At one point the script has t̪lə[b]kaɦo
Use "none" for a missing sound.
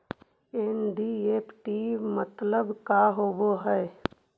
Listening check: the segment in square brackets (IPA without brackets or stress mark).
b